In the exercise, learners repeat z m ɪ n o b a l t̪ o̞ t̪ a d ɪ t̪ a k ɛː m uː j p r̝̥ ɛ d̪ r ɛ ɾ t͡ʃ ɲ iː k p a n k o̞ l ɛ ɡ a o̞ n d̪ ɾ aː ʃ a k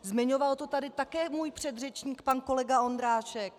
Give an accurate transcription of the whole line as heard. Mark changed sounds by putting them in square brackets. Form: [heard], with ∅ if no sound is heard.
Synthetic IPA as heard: z m ɪ [ɲ] o [v] a l t̪ o̞ t̪ a d ɪ t̪ a k ɛː m uː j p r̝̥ ɛ d̪ r ɛ [∅] t͡ʃ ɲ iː k p a n k o̞ l ɛ ɡ a o̞ n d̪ ɾ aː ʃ [ɛ] k